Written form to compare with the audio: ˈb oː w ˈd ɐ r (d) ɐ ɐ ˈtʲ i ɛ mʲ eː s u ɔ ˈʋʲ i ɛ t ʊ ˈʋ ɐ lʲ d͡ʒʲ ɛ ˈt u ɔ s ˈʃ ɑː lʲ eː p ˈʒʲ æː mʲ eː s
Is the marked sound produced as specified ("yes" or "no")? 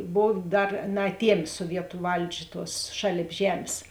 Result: no